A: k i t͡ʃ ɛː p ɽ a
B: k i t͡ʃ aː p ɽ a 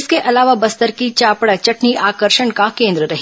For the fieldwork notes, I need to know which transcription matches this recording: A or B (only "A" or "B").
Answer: B